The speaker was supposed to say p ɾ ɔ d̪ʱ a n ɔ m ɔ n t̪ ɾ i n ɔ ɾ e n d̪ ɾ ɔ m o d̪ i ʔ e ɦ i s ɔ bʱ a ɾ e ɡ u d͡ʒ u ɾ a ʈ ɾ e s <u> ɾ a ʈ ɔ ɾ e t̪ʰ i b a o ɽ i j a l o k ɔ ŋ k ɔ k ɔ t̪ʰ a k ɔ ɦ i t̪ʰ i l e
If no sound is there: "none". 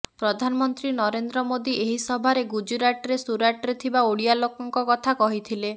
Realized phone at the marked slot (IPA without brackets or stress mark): u